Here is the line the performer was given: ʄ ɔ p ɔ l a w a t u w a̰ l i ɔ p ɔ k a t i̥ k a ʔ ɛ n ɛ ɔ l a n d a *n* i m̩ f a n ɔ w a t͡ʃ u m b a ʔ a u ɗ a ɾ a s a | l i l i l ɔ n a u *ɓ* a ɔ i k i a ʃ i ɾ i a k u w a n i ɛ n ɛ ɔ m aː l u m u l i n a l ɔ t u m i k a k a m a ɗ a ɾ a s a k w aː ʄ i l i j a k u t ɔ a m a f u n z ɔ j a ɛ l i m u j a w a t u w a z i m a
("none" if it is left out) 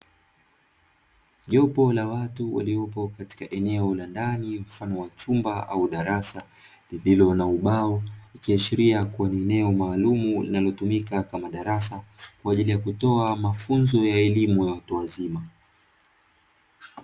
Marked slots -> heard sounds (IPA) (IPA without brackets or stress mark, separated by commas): n, ɓ